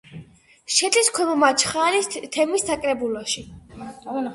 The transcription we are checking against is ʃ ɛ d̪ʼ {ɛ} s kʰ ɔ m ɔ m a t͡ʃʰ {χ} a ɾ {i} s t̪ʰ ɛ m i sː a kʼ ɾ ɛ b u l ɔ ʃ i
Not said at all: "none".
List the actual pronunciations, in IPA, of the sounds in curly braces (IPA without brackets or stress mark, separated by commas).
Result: i, χ, i